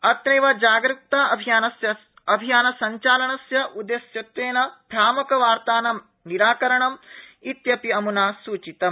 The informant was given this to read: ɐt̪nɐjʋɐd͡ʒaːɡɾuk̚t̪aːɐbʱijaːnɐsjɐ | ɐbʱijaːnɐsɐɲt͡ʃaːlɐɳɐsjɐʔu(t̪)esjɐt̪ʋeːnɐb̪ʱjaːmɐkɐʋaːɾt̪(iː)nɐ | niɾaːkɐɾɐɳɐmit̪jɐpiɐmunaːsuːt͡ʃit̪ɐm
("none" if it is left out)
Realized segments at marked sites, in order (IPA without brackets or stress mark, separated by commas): d̪, aː